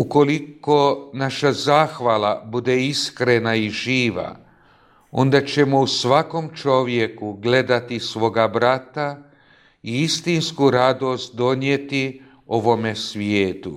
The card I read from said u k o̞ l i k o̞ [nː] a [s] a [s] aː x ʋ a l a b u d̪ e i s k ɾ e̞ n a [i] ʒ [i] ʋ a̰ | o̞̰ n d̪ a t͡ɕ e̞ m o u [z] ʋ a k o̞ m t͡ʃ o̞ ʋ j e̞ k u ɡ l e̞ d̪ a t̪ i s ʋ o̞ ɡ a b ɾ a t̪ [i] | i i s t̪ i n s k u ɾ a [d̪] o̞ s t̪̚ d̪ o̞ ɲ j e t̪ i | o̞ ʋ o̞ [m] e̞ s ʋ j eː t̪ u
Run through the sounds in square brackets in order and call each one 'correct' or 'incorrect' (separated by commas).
incorrect, incorrect, incorrect, correct, incorrect, incorrect, incorrect, correct, correct